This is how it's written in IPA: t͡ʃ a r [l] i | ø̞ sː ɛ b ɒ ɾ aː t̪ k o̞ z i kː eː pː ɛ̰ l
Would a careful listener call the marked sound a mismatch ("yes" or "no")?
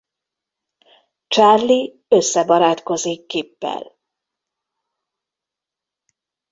no